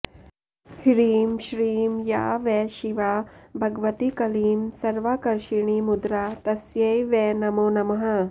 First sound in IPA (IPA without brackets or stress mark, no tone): h